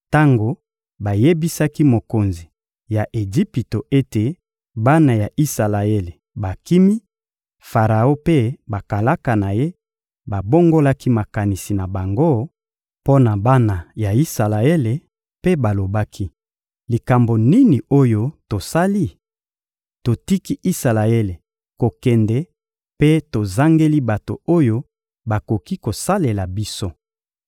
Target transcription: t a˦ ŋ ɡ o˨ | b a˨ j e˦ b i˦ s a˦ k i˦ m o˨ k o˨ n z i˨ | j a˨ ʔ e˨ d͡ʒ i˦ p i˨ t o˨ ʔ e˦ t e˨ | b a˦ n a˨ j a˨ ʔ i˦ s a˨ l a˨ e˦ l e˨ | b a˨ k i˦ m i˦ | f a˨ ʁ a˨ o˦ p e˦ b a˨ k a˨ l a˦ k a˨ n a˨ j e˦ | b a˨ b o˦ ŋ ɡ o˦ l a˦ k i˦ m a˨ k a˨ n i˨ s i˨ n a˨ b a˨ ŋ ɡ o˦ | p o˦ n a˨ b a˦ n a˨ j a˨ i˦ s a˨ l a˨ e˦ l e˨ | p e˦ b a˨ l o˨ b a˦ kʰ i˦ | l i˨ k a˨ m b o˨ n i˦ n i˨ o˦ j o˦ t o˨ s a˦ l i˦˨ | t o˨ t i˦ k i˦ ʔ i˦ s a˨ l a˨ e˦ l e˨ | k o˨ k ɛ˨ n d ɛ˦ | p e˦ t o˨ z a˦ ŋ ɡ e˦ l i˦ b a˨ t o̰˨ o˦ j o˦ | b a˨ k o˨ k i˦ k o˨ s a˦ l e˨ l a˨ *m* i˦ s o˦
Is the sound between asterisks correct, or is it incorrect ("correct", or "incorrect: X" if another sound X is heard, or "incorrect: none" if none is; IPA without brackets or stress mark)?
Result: incorrect: b